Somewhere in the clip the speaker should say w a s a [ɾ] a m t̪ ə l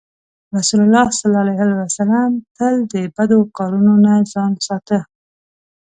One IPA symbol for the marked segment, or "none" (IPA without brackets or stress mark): l